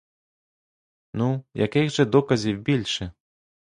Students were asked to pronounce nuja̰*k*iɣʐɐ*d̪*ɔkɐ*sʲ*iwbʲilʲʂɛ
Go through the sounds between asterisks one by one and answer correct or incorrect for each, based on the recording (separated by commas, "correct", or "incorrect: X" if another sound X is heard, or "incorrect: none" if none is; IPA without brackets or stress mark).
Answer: correct, correct, incorrect: zʲ